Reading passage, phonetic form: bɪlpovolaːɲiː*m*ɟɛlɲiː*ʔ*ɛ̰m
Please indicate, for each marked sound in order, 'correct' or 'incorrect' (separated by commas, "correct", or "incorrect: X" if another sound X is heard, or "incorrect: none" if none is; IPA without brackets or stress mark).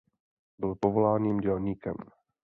correct, incorrect: k